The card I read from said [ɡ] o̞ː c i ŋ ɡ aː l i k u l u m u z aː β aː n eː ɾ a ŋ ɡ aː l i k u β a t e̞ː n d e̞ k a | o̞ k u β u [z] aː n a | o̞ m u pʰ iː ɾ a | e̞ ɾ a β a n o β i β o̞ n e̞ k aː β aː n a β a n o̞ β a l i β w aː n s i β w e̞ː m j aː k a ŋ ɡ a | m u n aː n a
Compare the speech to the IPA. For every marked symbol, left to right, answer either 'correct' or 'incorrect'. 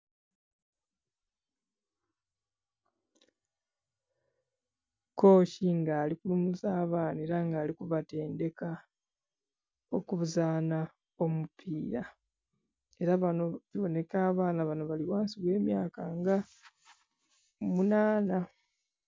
incorrect, correct

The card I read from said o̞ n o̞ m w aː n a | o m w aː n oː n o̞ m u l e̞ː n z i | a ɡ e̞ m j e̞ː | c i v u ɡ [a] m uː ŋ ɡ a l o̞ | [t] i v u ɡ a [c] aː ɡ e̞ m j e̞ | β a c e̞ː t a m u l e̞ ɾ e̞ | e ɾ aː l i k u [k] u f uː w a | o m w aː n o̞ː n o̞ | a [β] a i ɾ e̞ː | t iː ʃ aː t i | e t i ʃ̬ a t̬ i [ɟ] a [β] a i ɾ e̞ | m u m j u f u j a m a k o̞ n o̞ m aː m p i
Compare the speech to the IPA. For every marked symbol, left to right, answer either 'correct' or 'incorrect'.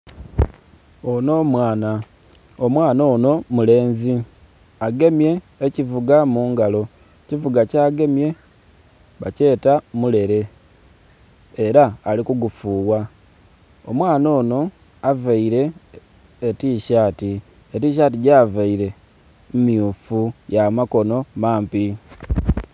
correct, incorrect, correct, incorrect, incorrect, correct, incorrect

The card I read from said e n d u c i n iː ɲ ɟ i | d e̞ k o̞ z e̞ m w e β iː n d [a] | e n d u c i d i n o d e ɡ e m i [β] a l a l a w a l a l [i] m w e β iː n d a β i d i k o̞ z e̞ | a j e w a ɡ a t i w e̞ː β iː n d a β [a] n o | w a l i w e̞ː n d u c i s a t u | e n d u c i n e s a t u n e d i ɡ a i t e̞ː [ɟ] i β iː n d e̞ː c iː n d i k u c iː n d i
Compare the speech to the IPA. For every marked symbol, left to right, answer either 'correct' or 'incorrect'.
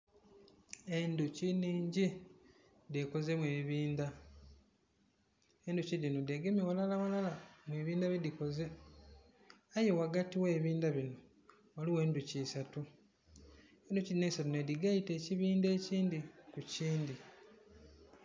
correct, incorrect, incorrect, incorrect, incorrect

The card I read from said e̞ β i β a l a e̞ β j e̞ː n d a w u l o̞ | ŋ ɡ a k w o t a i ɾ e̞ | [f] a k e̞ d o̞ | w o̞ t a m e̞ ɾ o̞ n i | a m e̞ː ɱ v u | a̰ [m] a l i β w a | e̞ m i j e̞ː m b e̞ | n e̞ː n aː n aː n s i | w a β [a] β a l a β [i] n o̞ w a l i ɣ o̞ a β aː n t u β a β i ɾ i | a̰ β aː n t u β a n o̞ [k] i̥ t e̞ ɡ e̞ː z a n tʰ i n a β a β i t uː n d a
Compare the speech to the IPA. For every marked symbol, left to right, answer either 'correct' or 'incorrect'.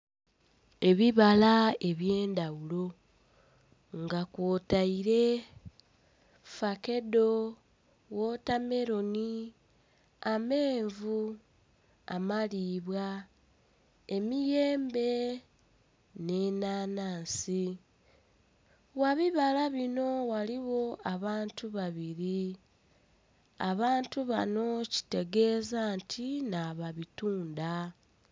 correct, correct, incorrect, correct, incorrect

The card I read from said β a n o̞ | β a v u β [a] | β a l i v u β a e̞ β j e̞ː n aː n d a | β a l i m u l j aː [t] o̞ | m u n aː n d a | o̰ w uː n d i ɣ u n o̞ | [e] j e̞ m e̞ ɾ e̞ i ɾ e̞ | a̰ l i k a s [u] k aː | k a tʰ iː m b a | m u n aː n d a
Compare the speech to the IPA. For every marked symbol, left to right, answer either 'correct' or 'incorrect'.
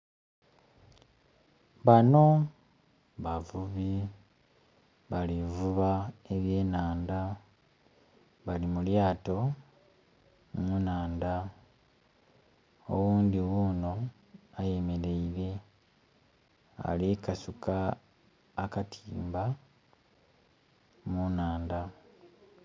incorrect, correct, incorrect, correct

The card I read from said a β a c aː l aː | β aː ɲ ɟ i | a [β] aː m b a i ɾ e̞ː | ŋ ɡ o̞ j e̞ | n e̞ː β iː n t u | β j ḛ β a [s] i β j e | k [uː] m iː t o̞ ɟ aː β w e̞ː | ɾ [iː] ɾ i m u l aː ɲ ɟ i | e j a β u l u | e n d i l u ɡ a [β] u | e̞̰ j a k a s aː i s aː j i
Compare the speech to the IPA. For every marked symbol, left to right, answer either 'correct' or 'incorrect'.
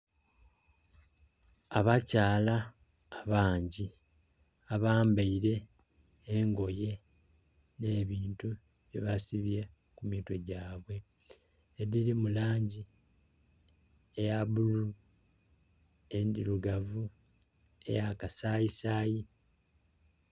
correct, correct, incorrect, incorrect, incorrect

